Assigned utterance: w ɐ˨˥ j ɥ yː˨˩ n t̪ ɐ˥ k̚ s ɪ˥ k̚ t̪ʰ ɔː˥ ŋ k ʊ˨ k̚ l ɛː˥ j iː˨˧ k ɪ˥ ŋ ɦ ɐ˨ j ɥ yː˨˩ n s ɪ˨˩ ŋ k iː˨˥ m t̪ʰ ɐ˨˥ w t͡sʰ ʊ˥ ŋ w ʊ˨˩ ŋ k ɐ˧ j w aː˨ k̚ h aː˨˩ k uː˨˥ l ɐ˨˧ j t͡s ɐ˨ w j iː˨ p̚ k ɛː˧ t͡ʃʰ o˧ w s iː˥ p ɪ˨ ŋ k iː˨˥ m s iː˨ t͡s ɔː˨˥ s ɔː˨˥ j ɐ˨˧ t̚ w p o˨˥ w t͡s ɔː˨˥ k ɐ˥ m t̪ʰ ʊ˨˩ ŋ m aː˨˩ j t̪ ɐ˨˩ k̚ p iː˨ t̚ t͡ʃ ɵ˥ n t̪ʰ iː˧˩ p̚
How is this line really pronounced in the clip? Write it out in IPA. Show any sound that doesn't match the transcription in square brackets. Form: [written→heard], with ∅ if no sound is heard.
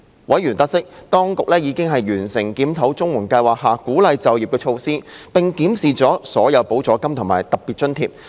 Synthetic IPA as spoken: w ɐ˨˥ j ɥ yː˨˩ n t̪ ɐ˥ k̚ s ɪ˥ k̚ [t̪ʰ→t̪] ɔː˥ ŋ k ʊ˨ k̚ l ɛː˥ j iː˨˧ k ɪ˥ ŋ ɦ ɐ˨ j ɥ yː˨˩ n s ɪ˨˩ ŋ k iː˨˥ m t̪ʰ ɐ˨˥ w [t͡sʰ→t͡s] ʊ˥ ŋ w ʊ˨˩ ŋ k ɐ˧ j w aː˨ k̚ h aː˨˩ k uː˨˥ l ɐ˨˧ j t͡s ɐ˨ w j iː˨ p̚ k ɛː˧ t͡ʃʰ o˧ w s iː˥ p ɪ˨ ŋ k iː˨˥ m s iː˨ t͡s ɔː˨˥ s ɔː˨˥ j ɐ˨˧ [t̚→∅] w p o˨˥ w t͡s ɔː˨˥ k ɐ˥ m t̪ʰ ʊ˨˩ ŋ m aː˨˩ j t̪ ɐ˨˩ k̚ p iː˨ t̚ t͡ʃ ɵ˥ n t̪ʰ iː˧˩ p̚